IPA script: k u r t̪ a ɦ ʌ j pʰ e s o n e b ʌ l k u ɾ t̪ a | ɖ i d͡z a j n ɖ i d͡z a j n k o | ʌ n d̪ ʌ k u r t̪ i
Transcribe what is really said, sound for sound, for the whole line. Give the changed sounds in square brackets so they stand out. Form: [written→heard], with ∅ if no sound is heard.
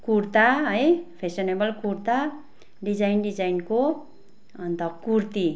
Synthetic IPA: k u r t̪ a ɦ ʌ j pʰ e s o n e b ʌ l k u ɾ t̪ a | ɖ i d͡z a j n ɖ i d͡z a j n k o | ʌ n [d̪→t̪] ʌ k u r t̪ i

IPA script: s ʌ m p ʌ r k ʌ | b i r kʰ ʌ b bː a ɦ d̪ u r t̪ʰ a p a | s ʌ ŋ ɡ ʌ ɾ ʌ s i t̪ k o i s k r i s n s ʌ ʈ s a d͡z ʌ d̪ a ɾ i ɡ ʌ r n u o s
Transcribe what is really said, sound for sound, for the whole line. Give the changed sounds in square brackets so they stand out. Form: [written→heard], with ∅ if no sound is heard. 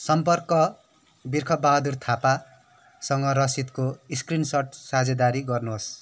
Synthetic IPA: s ʌ m p ʌ r k ʌ | b i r kʰ ʌ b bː a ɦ d̪ u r t̪ʰ a p a | s ʌ ŋ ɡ ʌ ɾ ʌ s i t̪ k o i s k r i [s→∅] n s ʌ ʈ s a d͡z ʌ d̪ a ɾ i ɡ ʌ r n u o s

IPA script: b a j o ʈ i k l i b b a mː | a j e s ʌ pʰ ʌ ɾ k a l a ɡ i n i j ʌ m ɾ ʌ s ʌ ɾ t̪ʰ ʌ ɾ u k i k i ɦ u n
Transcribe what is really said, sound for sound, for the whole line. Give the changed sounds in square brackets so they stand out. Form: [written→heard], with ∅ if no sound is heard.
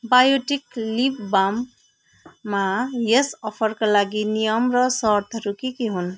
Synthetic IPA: b a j o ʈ i k l i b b a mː | a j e s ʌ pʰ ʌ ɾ k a l a ɡ i n i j ʌ m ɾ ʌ s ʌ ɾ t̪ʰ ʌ ɾ u k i k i ɦ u n

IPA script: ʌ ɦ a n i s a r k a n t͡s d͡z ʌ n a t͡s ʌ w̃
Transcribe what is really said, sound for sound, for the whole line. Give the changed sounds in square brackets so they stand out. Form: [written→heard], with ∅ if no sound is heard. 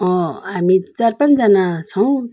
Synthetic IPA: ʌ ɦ a [n→m] i [s→t͡s] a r [k→p] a n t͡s d͡z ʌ n a [t͡s→t͡sʰ] ʌ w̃

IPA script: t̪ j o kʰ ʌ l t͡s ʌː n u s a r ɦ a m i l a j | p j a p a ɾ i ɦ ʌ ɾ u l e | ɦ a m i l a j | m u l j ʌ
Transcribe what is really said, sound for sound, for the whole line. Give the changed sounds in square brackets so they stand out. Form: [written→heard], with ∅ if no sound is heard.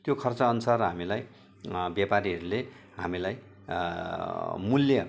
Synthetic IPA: t̪ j o kʰ ʌ [l→r] t͡s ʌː n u s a r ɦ a m i l a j | [p→b] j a p a ɾ i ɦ ʌ ɾ u l e | ɦ a m i l a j | m u l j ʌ

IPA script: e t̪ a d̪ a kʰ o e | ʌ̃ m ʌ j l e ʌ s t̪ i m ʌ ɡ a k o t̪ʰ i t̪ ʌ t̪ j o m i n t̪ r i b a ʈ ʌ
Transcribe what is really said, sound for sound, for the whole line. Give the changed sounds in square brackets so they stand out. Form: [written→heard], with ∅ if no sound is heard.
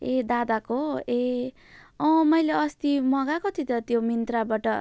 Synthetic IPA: e [t̪→d̪] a d̪ a [kʰ→k] o e | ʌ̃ m ʌ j l e ʌ s t̪ i m ʌ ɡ a k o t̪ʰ i t̪ ʌ t̪ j o m i n t̪ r [i→a] b a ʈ ʌ

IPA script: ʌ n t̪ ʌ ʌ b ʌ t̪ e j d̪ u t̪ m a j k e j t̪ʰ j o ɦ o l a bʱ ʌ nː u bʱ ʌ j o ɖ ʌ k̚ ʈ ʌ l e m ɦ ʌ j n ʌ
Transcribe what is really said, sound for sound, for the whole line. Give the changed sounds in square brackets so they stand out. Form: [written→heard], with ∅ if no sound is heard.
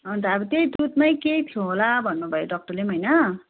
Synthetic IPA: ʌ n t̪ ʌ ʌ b ʌ t̪ e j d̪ u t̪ m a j k e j t̪ʰ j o ɦ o l a bʱ ʌ nː u bʱ ʌ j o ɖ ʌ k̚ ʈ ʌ l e m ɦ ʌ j n ʌ

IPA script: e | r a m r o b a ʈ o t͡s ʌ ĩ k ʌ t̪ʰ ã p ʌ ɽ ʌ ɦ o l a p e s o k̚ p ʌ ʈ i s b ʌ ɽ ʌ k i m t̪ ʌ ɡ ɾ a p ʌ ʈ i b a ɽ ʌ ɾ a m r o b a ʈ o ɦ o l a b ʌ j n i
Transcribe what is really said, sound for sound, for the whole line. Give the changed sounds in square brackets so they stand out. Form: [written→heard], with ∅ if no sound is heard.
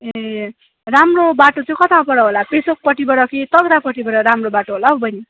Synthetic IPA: e | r a m r o b a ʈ o t͡s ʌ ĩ k ʌ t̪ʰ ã p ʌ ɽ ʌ ɦ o l a p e s o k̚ p ʌ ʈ i [s→∅] b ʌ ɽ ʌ k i [m→∅] t̪ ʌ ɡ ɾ a p ʌ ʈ i b [a→ʌ] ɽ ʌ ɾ a m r o b a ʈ o ɦ o l a b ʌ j n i

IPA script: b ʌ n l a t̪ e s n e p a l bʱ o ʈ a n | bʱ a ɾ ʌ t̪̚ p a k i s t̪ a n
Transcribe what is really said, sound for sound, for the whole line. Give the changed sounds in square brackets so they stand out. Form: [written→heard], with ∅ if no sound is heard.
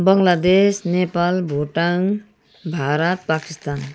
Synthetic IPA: b ʌ [n→ŋ] l a [t̪→d̪] e s n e p a l bʱ o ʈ a [n→ŋ] | bʱ a ɾ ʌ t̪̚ p a k i s t̪ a n

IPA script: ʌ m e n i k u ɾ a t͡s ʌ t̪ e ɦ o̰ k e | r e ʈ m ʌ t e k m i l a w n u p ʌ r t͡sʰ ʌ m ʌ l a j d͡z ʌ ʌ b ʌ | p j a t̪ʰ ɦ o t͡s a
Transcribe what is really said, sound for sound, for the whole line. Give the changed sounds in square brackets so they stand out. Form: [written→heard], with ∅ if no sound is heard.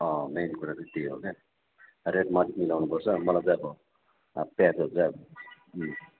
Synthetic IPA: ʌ m e n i k u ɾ a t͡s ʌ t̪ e ɦ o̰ k e | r e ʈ m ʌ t [e→i] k m i l a w n u p ʌ r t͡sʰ ʌ m ʌ l a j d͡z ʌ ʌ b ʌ | p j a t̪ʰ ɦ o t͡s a

